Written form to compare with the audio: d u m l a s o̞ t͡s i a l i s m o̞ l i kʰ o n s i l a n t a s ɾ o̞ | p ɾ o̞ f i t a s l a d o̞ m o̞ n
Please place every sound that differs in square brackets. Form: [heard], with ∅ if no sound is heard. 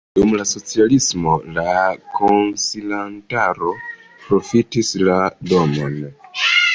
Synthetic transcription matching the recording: d u m l a s o̞ t͡s i a l i s m o̞ l [a] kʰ o n s i l a n t a [∅] ɾ o̞ | p ɾ o̞ f i t [i] s l a d o̞ m o̞ n